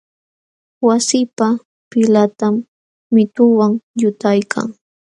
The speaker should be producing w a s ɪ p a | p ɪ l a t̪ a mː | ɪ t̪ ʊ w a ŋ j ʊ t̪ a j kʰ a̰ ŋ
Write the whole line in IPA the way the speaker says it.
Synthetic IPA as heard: w a s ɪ p a | p ɪ l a t̪ a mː | ɪ t̪ ʊ w a ŋ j ʊ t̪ a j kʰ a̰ ŋ